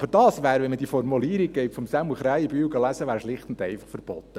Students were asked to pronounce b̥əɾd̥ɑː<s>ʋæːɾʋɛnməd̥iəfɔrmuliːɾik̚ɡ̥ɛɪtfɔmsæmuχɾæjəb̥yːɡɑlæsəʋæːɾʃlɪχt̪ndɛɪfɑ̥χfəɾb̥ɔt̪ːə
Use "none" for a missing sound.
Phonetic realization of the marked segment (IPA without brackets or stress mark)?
s